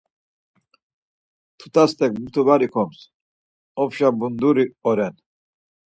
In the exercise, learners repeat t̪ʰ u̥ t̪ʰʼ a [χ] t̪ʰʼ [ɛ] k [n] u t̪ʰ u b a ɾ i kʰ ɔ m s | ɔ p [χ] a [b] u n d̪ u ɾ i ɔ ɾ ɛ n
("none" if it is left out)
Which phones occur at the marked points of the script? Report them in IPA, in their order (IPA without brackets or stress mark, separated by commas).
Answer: s, ɛ, m, ʃ, b